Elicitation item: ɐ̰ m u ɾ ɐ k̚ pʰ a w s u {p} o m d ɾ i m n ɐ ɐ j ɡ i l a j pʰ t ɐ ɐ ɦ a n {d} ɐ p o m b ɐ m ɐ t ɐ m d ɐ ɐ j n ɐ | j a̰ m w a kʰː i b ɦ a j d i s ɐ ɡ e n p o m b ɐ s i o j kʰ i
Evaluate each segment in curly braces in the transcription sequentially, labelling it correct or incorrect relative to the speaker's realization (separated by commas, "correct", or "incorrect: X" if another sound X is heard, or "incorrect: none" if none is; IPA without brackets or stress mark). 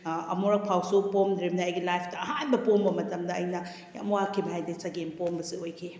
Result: correct, incorrect: b